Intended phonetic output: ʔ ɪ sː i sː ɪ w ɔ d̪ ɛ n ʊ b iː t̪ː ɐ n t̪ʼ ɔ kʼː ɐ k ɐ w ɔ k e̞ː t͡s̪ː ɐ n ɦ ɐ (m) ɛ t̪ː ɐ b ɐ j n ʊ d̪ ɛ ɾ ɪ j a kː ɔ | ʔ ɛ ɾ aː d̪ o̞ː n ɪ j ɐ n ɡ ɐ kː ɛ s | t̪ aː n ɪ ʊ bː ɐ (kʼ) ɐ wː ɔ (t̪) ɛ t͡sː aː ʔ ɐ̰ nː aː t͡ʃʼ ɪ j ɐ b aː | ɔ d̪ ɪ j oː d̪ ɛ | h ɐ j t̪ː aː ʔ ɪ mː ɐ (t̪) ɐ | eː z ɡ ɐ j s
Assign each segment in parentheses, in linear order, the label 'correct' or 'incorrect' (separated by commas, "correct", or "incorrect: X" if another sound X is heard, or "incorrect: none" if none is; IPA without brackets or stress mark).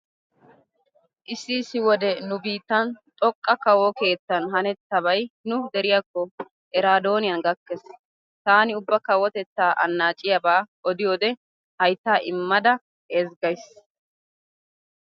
incorrect: n, incorrect: k, correct, incorrect: d̪